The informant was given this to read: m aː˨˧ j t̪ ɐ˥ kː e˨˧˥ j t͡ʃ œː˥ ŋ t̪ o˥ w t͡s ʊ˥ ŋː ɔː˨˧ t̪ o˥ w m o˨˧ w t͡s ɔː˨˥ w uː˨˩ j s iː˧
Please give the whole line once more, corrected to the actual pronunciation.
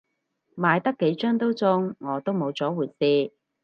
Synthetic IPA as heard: m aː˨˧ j t̪ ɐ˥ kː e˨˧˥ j t͡ʃ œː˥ ŋ t̪ o˥ w t͡s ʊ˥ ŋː ɔː˨˧ t̪ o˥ w m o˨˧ w t͡s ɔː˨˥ w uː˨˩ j s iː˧